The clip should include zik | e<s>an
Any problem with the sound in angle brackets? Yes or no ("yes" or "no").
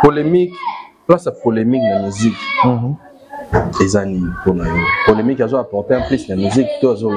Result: yes